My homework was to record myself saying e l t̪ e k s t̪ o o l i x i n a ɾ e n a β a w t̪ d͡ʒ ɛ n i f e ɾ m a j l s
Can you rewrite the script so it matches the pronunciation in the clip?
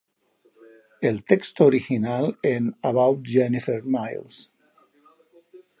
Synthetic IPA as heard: e l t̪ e k s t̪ o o ɾ i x i n a l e n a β a w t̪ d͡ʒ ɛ n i f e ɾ m a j l s